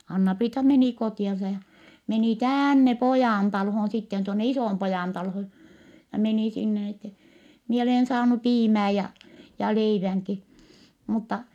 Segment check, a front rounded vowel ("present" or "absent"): absent